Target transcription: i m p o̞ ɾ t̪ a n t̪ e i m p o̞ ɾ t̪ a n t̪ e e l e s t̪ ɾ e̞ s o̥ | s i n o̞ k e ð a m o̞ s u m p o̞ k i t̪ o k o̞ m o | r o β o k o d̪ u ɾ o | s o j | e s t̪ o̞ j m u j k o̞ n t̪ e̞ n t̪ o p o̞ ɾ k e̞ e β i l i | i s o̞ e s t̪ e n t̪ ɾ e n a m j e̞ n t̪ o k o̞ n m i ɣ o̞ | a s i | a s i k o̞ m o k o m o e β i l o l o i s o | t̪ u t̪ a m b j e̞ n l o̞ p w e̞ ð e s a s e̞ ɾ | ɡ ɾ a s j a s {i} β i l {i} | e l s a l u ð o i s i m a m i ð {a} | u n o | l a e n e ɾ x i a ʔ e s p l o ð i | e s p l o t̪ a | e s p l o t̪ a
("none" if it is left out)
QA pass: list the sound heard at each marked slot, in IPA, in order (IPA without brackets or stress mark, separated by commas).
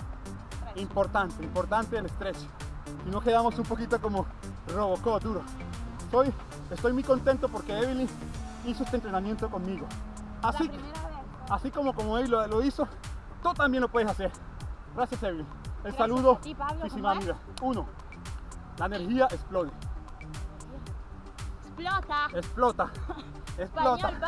e, i, a